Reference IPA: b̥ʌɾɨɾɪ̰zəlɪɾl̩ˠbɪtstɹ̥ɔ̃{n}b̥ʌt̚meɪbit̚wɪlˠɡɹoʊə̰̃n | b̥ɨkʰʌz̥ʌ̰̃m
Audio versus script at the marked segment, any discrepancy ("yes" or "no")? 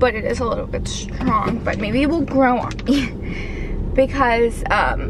yes